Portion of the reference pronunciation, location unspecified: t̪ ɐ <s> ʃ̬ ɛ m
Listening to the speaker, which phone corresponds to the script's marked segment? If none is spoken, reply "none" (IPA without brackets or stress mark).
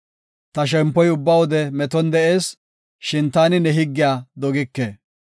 none